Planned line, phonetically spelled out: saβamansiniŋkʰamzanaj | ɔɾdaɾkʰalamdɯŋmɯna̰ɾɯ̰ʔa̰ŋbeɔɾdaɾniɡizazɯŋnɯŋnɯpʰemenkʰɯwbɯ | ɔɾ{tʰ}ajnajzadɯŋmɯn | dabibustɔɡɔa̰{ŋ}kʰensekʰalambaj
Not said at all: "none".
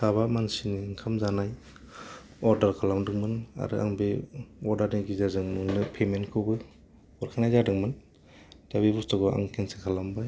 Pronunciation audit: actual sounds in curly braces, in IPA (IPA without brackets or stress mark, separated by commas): kʰ, ŋ